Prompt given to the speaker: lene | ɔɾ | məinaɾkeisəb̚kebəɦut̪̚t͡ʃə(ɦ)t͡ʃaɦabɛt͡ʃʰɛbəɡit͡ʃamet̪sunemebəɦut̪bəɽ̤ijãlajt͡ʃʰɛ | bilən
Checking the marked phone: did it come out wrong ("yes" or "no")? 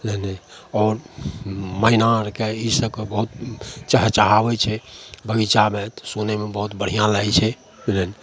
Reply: no